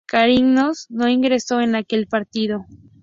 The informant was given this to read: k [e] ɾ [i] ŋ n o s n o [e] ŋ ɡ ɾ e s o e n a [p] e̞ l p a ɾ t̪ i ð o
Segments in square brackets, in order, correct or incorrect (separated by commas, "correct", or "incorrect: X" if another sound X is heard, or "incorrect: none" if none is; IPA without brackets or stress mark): incorrect: a, correct, incorrect: i, incorrect: k